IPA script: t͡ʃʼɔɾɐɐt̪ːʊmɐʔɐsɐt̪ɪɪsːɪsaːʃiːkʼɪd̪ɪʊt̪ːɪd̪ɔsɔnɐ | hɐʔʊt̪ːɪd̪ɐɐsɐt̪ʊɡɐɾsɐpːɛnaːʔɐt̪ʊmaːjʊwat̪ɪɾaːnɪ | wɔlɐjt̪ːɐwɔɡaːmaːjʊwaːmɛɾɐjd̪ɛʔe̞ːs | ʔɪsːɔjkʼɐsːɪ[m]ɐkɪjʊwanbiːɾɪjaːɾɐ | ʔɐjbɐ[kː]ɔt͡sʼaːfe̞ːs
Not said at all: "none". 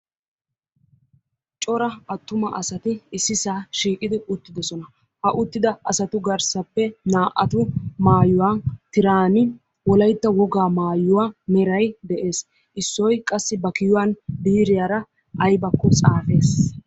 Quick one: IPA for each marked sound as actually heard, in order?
b, kː

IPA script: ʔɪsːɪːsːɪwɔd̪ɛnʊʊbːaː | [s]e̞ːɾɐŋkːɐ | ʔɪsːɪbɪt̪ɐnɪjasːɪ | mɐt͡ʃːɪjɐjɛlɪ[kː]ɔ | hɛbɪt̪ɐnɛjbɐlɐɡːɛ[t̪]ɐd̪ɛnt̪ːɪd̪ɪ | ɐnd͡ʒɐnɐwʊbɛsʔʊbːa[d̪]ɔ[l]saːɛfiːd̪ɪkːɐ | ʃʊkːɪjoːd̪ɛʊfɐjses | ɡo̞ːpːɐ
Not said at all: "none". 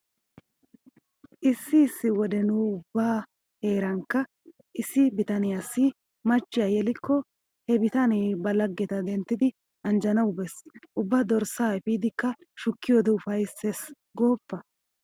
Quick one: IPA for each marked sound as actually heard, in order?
h, kː, t̪, d̪, ɾ

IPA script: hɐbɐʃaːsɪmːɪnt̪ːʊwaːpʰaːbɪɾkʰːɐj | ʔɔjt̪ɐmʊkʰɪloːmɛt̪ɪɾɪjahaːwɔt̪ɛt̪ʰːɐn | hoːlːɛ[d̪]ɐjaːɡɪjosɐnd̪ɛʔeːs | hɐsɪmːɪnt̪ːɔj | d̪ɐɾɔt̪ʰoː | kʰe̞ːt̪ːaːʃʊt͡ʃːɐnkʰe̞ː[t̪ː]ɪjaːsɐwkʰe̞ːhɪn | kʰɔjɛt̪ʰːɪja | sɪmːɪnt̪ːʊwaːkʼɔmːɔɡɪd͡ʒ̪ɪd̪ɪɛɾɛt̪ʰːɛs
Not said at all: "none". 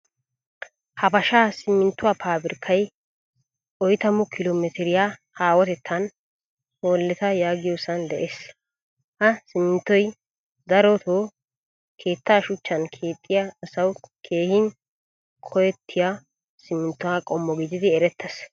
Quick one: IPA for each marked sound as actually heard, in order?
t̪, t̪ʼː

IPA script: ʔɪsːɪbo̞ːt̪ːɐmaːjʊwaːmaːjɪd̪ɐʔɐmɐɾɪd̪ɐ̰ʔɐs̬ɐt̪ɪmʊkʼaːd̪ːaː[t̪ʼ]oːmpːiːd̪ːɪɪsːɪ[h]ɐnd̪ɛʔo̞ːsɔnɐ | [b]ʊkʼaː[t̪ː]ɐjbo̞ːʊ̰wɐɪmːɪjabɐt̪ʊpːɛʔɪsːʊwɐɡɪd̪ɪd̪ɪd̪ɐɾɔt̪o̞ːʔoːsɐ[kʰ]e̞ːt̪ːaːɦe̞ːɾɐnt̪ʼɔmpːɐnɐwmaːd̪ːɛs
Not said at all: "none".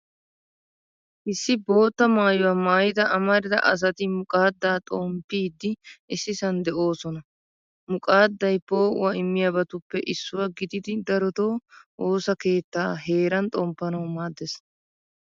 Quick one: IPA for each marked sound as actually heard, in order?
t̪ʼ, s, m, d̪ː, k

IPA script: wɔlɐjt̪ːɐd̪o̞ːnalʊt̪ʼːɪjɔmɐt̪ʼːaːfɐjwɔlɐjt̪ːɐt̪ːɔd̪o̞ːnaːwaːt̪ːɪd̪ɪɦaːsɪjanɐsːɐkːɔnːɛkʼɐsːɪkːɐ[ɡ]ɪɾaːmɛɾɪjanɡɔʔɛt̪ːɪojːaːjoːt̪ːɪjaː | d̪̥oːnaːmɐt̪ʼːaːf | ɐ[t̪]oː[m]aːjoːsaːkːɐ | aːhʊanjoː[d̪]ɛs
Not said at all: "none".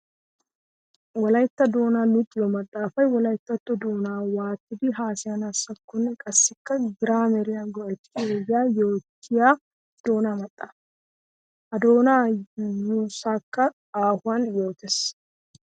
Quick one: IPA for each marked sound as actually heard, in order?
ɡ, d̪, n, t̪

